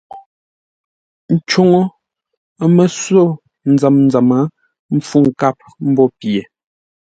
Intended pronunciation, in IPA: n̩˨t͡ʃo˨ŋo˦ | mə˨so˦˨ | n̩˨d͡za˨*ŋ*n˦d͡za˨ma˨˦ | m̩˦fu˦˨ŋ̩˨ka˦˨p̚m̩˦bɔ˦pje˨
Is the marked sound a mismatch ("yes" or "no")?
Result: yes